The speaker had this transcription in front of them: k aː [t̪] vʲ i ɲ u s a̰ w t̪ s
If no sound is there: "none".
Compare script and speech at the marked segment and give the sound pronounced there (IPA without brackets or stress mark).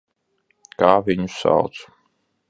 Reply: none